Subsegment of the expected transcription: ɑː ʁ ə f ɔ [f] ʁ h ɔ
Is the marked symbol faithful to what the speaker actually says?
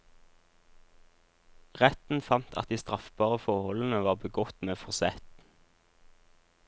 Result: no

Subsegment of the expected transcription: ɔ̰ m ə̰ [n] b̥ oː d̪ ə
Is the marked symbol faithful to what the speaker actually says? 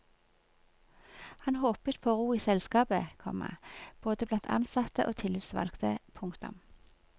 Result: no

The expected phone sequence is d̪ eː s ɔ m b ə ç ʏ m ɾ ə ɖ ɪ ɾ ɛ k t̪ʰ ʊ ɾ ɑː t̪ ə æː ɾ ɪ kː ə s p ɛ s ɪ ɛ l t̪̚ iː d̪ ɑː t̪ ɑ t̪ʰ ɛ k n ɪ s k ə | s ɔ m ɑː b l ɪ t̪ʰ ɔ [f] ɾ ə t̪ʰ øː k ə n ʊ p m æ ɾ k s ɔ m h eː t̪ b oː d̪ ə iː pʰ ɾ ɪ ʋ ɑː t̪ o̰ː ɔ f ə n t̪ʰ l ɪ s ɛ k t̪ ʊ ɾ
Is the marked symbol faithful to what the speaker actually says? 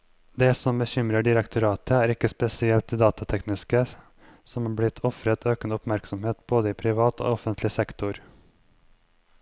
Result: yes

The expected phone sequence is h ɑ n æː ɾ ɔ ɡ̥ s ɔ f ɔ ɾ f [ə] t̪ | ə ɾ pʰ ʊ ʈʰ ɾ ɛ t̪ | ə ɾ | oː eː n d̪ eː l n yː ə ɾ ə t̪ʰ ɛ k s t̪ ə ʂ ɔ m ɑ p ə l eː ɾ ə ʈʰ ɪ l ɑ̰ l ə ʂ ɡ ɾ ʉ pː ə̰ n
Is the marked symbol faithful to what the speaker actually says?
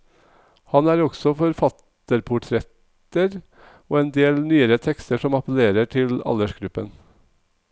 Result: no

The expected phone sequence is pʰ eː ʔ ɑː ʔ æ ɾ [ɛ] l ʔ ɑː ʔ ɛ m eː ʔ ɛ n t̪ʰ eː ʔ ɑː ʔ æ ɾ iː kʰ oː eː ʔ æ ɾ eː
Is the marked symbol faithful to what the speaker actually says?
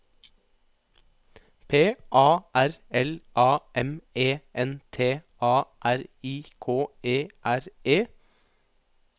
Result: yes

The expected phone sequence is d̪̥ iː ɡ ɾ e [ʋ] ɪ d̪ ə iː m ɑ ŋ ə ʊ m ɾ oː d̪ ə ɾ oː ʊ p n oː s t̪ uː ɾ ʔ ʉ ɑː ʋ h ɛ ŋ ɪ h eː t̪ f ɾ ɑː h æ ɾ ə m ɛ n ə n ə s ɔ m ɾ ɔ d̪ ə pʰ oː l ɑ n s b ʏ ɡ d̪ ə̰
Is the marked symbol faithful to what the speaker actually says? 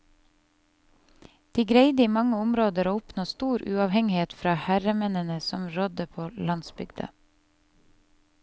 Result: no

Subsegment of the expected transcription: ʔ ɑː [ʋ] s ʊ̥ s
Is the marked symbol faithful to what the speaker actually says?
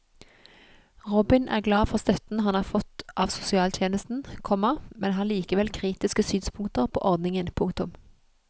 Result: yes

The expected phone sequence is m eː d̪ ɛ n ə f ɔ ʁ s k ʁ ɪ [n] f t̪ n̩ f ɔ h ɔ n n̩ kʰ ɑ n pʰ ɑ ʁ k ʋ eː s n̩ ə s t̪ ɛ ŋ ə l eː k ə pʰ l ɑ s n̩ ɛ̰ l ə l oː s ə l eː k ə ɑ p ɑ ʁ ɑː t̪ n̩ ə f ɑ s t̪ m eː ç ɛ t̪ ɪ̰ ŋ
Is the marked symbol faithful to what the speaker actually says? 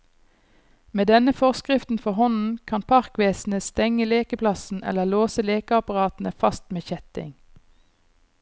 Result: no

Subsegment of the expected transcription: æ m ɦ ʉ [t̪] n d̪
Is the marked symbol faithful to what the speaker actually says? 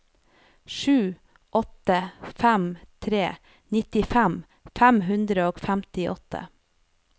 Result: no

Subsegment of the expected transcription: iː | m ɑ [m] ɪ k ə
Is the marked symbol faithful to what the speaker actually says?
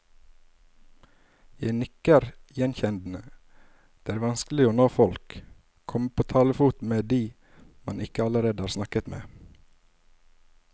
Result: no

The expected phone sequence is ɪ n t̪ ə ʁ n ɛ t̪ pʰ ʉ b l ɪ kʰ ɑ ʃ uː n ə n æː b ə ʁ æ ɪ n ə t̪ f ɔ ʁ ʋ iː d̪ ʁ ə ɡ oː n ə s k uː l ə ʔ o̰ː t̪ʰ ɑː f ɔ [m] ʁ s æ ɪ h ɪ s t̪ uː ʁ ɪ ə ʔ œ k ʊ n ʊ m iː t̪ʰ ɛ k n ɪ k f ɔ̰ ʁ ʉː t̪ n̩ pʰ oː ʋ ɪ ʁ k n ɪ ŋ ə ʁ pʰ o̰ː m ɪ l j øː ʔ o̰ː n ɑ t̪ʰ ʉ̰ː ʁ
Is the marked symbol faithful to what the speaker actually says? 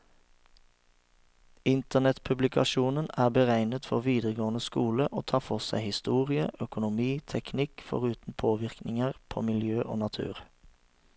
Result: no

